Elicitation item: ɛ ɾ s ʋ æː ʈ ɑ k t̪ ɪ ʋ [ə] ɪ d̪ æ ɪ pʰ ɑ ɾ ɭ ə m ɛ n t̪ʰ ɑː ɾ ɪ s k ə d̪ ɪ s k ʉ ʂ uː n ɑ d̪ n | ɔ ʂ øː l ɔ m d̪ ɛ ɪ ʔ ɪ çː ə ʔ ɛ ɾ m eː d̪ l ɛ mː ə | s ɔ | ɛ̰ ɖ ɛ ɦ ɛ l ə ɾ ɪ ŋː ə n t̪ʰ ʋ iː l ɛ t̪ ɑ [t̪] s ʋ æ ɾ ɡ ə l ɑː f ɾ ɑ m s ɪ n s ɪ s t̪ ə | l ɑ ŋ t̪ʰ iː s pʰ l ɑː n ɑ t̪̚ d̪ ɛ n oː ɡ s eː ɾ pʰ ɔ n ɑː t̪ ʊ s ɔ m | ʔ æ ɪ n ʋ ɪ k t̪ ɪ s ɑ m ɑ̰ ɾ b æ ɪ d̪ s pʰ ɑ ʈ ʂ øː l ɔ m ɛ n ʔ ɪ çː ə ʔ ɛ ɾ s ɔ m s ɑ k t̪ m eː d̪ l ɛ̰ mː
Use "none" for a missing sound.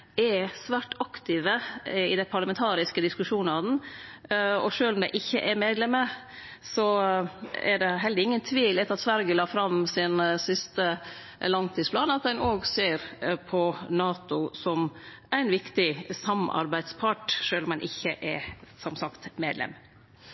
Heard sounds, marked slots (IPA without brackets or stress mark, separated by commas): ə, t̪